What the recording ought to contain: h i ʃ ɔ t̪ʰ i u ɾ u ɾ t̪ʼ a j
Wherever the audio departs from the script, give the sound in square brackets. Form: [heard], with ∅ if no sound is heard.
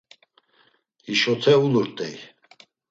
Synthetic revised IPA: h i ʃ ɔ t̪ʰ [ɛ] u [l] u ɾ t̪ʼ [ɛ] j